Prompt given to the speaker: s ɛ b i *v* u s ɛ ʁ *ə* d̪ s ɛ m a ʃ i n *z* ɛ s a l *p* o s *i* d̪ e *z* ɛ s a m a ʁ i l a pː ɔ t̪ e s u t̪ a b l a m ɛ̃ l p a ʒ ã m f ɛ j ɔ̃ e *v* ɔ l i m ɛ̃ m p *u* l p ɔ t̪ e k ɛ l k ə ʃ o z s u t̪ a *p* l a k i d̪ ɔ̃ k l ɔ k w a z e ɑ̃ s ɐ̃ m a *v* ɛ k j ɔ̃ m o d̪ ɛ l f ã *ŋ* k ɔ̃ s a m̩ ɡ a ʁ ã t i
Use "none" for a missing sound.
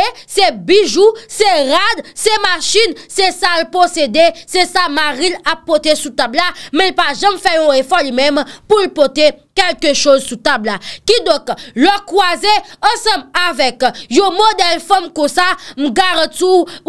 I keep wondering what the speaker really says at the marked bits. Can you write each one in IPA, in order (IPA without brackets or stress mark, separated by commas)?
ʒ, a, s, p, e, s, f, u, b, v, m